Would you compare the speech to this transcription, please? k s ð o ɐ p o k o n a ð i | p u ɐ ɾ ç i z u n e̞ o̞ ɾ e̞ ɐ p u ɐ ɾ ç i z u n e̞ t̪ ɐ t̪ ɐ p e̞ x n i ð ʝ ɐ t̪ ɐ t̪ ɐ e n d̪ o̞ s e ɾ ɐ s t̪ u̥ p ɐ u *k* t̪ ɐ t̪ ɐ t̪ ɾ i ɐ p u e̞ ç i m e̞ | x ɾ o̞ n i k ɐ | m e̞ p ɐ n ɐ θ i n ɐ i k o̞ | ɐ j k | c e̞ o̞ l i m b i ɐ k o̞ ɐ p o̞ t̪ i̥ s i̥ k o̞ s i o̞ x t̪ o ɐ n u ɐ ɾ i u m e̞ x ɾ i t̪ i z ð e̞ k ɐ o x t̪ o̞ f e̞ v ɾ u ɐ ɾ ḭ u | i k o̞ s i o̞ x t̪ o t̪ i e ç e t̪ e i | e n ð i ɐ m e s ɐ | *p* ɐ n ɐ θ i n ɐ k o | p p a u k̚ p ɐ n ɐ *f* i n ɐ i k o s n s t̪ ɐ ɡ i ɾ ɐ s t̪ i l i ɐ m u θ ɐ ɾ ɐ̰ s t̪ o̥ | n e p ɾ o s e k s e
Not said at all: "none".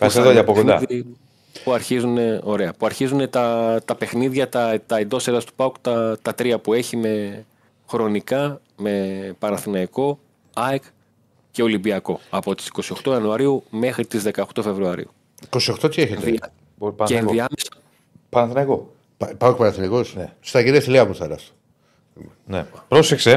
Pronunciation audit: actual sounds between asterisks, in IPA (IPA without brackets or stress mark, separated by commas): k, p, θ